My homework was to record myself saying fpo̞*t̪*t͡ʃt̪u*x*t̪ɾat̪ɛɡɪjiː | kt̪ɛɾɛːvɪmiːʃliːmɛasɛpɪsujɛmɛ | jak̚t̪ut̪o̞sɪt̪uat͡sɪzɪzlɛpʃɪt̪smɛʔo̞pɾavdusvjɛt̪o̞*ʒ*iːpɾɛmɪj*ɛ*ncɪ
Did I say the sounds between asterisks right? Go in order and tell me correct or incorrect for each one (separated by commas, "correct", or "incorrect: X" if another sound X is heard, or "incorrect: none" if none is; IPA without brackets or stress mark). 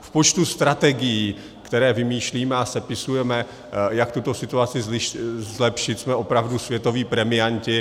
incorrect: none, incorrect: s, incorrect: v, incorrect: a